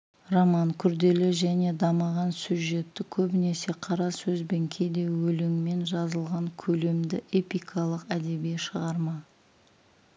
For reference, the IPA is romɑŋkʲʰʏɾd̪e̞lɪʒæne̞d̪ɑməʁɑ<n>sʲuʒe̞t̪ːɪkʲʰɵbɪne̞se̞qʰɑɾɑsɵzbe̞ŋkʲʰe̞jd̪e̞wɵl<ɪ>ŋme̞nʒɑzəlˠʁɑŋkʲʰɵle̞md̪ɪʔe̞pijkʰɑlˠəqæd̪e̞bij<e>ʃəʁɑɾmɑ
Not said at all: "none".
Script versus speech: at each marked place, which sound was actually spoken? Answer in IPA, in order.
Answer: n, ɪ, e

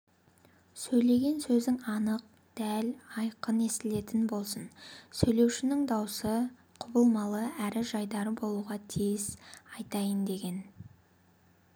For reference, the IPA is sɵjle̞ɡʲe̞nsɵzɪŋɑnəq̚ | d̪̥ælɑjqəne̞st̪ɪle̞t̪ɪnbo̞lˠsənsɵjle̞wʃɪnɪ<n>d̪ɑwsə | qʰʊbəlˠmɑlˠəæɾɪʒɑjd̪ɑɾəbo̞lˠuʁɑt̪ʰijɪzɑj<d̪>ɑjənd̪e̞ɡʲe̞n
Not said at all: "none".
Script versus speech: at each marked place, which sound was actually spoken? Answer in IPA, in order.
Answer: ŋ, t̪

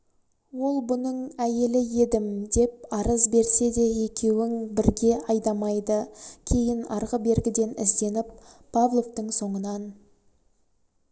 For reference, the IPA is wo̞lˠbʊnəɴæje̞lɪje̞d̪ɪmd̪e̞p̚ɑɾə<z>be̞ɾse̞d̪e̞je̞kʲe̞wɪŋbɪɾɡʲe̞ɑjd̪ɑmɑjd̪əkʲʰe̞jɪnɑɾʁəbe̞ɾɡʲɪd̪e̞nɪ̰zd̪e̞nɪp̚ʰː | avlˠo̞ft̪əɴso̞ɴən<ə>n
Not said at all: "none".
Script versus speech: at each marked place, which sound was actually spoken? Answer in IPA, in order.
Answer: z, ɑ

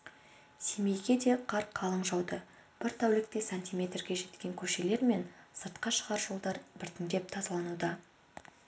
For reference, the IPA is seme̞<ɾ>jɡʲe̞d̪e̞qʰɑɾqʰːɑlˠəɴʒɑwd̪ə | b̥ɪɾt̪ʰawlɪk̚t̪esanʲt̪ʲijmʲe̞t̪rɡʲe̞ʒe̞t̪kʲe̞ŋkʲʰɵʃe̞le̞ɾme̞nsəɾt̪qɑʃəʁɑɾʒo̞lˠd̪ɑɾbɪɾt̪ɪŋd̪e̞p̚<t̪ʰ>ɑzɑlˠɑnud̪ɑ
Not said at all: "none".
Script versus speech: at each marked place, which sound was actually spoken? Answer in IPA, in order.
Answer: none, t̪ʰ

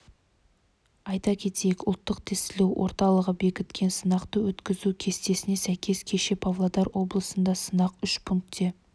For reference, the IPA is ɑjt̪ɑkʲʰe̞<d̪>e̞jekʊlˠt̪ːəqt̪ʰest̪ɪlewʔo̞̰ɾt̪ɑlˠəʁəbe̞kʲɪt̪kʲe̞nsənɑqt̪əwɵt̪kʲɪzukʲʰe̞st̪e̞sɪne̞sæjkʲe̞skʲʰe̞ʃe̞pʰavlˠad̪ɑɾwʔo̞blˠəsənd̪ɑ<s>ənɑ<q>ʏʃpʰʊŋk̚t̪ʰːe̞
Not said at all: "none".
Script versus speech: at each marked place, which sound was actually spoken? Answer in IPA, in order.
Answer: t̪, s, q

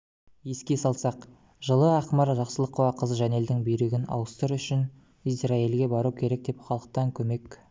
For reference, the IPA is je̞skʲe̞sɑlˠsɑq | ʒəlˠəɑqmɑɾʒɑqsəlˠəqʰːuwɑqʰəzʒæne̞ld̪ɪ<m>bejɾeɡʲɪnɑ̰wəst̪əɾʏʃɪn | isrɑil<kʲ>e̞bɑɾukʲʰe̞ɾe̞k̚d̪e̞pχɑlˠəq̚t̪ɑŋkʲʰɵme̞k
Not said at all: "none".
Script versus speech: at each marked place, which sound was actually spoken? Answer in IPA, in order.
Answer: ŋ, ɡʲ

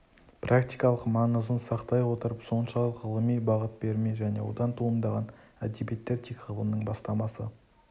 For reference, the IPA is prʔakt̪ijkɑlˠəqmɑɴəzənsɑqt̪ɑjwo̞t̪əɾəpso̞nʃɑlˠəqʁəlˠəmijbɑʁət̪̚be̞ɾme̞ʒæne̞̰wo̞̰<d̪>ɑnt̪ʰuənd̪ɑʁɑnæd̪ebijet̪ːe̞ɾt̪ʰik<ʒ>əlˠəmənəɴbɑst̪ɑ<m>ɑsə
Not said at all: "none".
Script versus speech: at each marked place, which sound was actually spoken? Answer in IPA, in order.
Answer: d̪, ʁ, m

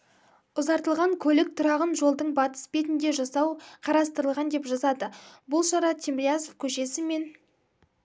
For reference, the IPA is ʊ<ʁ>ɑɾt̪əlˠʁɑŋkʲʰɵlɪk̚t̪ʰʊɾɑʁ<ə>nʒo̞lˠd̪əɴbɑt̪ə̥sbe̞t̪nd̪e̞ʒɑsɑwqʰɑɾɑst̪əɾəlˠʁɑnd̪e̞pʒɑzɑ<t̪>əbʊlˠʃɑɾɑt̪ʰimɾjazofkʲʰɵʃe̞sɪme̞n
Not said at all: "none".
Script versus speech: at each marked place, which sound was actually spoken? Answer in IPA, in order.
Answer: z, ə, d̪

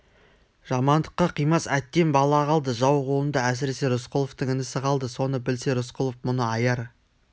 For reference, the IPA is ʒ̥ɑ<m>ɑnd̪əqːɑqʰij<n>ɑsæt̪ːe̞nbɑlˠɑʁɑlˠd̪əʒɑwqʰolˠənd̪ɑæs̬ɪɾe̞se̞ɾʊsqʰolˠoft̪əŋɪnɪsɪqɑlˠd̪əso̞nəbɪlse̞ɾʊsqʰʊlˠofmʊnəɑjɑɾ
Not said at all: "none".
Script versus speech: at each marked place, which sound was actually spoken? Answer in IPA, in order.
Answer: m, m

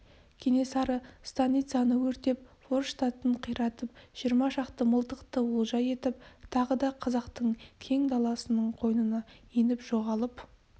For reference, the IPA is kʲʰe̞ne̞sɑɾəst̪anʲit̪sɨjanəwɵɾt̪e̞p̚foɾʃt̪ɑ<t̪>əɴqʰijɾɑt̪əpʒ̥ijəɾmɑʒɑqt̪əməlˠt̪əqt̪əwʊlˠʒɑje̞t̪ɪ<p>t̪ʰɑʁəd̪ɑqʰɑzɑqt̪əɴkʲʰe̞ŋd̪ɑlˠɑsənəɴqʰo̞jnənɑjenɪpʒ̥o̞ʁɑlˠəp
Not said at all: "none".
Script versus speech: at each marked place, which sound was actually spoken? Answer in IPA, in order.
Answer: t̪, p

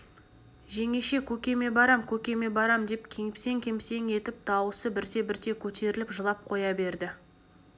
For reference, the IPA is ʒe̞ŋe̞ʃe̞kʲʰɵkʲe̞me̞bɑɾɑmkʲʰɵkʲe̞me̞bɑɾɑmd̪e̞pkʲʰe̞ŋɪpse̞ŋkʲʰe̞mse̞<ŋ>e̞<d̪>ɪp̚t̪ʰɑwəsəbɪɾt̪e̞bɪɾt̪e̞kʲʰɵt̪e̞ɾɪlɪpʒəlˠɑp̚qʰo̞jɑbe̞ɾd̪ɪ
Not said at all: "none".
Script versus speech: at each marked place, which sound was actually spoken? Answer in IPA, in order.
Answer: ŋ, t̪

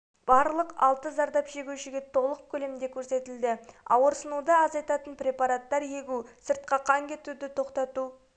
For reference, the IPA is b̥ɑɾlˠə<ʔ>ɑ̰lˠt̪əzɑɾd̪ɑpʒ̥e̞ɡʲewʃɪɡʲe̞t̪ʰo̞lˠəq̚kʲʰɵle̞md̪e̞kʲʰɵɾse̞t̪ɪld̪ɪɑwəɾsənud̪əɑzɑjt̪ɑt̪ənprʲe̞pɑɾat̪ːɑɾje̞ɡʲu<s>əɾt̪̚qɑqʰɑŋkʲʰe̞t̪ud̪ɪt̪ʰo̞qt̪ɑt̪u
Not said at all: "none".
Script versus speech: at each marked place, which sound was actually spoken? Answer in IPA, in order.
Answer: q, s

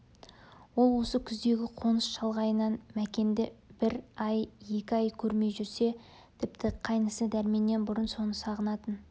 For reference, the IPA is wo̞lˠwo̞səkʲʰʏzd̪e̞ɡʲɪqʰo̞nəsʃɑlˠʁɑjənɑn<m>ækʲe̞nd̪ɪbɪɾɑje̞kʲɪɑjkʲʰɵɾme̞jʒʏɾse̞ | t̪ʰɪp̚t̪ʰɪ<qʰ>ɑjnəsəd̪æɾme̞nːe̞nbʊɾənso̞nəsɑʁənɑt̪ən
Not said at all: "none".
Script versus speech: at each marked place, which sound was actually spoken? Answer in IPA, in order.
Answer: m, qʰ

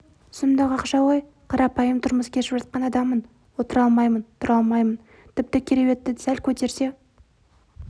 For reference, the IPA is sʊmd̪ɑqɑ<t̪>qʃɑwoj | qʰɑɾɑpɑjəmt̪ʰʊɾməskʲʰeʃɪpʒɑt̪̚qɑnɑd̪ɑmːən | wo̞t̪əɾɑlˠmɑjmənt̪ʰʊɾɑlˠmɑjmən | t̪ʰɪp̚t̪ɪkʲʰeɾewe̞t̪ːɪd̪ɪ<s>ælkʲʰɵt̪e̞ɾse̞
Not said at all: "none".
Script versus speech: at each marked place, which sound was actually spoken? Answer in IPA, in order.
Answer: none, s

